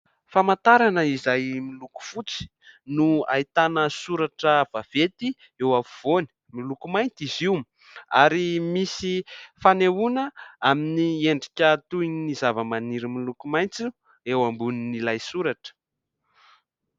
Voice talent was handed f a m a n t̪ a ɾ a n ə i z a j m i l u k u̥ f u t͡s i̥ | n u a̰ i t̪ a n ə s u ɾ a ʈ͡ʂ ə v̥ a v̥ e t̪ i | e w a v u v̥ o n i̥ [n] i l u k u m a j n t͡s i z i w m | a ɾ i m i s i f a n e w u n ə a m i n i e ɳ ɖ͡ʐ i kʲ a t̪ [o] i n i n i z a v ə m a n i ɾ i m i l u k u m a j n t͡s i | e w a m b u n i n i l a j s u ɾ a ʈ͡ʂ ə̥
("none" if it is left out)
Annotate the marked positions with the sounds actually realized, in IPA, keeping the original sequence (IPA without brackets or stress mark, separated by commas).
m, u